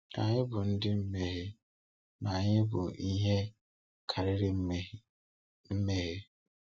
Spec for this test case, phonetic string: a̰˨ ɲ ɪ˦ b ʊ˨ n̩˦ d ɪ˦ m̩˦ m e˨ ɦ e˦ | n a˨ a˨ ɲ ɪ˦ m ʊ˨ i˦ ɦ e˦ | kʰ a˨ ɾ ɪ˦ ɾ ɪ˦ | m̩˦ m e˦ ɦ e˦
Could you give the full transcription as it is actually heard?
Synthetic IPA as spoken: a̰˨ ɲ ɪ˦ b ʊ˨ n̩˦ d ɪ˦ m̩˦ m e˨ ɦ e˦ | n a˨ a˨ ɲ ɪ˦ b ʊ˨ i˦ ɦ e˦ | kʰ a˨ ɾ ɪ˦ ɾ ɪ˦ | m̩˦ m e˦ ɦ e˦